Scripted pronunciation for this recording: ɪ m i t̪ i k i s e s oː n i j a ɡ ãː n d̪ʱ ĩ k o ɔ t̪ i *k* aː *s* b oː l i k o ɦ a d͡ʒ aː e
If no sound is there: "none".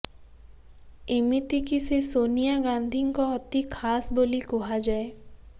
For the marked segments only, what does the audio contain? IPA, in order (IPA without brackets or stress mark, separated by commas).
kʰ, s